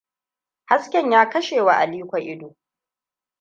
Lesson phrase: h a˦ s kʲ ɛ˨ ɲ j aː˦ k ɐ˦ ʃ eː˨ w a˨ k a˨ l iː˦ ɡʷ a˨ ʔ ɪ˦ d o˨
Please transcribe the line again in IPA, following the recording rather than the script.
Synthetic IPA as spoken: h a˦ s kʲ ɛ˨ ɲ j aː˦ k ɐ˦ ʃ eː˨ w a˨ ʔ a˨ l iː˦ kʷ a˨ ʔ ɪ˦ d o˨

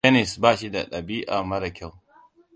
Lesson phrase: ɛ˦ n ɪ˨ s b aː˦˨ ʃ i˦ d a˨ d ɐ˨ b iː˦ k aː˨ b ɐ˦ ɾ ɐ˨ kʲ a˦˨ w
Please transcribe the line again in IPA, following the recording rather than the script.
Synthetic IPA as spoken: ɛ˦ n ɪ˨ s b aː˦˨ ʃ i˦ d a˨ ɗ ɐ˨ b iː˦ ʔ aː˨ m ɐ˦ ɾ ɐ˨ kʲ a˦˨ w

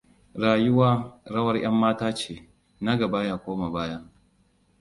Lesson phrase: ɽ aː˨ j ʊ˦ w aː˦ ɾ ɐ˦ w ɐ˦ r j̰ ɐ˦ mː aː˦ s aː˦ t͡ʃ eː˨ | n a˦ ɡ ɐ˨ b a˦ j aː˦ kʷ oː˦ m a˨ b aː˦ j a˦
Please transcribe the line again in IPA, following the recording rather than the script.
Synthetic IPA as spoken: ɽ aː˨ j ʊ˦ w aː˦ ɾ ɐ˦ w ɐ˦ r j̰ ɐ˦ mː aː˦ t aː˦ t͡ʃ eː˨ | n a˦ ɡ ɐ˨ b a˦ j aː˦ kʷ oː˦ m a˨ b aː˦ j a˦

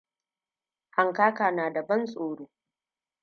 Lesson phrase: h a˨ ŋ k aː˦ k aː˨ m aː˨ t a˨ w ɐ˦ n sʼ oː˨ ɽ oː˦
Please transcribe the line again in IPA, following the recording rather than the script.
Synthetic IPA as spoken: h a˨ ŋ k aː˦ k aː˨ n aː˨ d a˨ b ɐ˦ n sʼ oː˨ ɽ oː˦

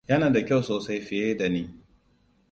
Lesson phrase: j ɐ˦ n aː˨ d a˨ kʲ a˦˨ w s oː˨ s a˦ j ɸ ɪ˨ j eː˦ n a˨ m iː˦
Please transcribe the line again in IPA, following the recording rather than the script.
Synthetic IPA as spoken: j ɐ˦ n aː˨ d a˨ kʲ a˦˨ w s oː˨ s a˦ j ɸ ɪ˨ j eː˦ d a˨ n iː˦

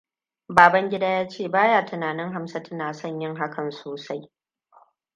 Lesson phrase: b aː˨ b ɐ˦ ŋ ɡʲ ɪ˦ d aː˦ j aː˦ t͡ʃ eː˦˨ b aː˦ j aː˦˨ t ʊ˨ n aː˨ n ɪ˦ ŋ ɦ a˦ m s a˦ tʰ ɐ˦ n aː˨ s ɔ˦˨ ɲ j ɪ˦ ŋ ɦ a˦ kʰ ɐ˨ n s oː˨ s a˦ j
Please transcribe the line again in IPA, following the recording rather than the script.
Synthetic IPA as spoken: b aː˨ b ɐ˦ ŋ ɡʲ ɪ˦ d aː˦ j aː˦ t͡ʃ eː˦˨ b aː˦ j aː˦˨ t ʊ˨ n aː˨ n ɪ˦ ŋ ɦ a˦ m s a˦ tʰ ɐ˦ n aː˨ s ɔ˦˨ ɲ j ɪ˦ ŋ ɦ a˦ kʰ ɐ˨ n s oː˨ s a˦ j

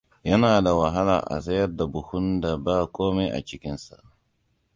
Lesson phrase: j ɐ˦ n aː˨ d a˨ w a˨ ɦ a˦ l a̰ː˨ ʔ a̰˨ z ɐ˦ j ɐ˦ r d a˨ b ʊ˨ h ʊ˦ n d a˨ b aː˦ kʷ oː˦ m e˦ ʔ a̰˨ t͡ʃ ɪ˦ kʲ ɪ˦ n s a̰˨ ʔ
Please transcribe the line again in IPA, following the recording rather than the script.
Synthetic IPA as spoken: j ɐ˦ n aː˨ d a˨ w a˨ ɦ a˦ l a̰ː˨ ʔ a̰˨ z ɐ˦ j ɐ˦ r d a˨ b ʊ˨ h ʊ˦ n d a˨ b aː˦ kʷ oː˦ m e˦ ʔ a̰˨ t͡ʃ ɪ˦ kʲ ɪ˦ n s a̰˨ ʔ

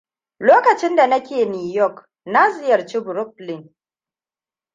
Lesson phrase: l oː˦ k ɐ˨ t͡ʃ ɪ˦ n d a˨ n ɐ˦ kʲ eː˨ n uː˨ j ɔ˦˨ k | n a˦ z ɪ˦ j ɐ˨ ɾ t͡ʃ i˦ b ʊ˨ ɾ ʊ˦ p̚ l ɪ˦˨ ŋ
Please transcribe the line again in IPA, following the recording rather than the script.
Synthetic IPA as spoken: l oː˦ k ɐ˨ t͡ʃ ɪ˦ n d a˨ n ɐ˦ kʲ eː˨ n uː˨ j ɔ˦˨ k | n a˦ z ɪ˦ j ɐ˨ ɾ t͡ʃ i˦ b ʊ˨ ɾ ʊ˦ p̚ l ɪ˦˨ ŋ

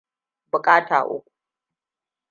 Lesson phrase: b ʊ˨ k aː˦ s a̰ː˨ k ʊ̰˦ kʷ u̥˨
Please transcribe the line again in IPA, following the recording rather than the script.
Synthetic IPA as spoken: b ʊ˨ kʼ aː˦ t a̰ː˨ ʔ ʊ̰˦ kʷ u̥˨

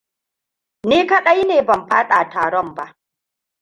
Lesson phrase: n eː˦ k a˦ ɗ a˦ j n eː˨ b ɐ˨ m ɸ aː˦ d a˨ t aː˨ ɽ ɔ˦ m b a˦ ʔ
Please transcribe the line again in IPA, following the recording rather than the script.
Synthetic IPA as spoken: n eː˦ k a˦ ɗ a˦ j n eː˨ b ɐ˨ m ɸ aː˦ ɗ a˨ t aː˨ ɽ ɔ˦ m b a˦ ʔ

